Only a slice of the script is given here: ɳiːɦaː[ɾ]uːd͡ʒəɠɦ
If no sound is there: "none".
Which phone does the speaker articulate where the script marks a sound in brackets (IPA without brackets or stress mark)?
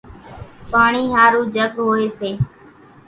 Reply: ɾ